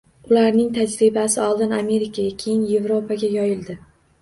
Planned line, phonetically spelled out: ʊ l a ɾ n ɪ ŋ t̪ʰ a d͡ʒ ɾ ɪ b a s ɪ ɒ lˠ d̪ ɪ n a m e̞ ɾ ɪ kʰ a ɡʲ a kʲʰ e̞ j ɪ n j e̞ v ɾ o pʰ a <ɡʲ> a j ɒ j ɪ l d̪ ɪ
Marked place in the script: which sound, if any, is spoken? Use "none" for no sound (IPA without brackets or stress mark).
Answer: ɡʲ